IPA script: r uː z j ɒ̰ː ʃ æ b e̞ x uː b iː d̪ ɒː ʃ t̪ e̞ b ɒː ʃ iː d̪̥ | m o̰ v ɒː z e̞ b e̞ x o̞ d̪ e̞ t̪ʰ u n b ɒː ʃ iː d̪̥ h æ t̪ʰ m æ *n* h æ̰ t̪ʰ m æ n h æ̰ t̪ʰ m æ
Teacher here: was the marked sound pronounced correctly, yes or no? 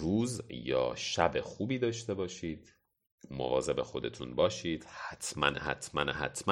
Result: yes